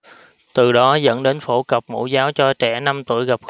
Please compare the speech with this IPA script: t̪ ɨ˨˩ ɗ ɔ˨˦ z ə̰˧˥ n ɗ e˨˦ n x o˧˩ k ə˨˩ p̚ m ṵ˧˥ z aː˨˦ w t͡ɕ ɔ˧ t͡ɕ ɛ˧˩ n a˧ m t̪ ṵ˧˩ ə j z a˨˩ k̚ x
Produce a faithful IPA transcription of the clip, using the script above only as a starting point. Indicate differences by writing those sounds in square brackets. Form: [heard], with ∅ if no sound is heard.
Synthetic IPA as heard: t̪ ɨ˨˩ ɗ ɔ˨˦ z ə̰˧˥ n ɗ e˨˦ n [f] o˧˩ k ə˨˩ p̚ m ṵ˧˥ z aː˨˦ w t͡ɕ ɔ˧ t͡ɕ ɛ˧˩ n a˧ m t̪ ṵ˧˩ ə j [ɣ] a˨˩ [p̚] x